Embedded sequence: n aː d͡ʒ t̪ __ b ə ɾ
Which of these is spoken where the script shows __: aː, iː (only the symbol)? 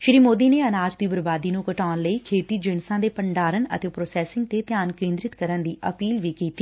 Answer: iː